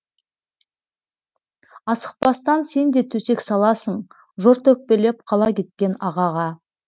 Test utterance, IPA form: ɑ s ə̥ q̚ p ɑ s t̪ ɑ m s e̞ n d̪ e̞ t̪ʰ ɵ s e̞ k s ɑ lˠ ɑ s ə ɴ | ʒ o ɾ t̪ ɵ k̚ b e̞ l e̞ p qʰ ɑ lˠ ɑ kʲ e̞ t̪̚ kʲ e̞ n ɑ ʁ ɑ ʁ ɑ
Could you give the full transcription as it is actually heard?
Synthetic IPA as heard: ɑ s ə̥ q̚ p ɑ s t̪ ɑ n s e̞ n d̪ e̞ t̪ʰ ɵ s e̞ k s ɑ lˠ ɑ s ə ɴ | ʒ o ɾ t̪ ɵ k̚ p e̞ l e̞ p qʰ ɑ lˠ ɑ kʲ e̞ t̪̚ kʲ e̞ n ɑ ʁ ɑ ʁ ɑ